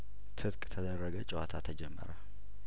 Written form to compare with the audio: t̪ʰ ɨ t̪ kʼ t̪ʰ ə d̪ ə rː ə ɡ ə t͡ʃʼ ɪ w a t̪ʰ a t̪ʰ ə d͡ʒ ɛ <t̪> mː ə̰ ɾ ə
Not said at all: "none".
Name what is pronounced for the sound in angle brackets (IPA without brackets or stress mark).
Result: none